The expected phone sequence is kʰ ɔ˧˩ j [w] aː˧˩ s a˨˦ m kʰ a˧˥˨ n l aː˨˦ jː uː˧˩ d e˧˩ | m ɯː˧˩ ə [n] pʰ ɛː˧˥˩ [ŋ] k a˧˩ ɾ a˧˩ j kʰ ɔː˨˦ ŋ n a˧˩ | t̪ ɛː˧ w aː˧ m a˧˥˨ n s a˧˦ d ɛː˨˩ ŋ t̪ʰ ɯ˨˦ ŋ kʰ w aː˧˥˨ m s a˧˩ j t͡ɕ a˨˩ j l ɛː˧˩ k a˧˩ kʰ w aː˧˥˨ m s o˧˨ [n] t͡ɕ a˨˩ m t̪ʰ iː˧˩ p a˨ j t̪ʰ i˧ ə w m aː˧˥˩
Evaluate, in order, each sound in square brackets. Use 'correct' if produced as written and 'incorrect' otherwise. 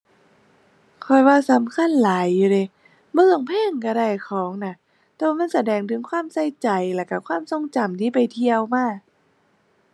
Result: correct, incorrect: ŋ, correct, incorrect: ŋ

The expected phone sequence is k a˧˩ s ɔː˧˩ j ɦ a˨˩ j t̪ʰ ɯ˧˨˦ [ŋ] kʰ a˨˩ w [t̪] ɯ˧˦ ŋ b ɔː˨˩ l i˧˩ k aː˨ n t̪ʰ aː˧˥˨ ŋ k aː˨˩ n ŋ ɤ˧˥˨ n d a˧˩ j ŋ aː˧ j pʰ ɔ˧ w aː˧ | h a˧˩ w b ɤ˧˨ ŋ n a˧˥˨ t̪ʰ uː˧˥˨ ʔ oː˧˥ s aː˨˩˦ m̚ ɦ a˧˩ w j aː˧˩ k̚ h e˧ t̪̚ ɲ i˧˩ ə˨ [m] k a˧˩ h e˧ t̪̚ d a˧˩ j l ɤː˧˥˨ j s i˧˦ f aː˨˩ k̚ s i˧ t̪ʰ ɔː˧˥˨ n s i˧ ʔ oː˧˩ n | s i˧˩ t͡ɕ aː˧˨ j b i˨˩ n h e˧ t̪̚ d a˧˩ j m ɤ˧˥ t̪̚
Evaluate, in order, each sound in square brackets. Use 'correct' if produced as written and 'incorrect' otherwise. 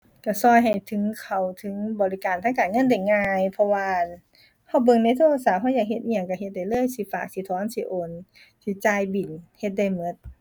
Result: correct, incorrect: t̪ʰ, incorrect: ŋ

